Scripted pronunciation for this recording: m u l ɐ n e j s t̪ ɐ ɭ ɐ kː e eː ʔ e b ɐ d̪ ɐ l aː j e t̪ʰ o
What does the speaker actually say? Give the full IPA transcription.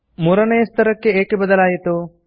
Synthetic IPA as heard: m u ɾ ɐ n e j s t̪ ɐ ɾ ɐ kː e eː k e b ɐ d̪ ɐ l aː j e t̪ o